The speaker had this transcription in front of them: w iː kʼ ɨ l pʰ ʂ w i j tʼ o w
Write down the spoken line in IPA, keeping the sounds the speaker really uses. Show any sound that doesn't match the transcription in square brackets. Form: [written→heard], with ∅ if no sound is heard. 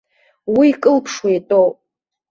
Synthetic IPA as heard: w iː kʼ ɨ l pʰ ʂ w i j tʼ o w